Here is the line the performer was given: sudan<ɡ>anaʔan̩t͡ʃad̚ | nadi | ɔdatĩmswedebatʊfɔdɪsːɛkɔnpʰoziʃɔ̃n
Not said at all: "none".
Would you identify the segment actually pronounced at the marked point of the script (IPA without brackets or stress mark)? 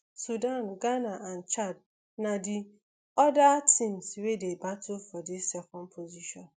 ɡ